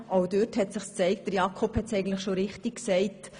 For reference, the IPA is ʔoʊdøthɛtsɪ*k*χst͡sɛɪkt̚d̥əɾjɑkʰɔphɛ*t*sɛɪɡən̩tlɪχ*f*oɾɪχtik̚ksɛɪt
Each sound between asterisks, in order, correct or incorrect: incorrect, correct, incorrect

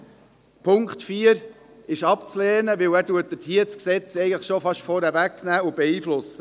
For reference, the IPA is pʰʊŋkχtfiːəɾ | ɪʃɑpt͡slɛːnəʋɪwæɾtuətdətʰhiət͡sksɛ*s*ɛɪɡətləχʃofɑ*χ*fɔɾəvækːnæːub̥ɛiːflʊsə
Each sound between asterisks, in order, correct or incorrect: incorrect, incorrect

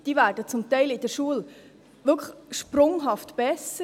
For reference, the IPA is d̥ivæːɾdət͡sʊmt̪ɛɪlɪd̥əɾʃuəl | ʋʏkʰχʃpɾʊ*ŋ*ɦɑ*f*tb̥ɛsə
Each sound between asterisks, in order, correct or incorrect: correct, correct

